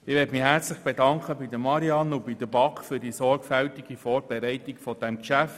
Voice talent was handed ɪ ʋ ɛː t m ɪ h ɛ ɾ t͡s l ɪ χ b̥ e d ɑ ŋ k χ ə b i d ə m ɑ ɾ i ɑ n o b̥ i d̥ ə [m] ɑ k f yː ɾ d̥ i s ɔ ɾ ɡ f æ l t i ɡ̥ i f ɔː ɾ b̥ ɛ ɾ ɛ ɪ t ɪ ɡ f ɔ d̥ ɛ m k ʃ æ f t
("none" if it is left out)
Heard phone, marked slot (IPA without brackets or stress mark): b